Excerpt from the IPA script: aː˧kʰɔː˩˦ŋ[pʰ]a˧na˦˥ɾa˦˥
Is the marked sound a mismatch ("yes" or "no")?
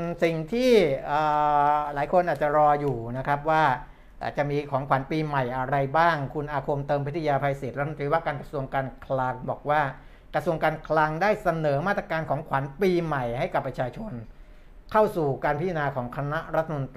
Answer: yes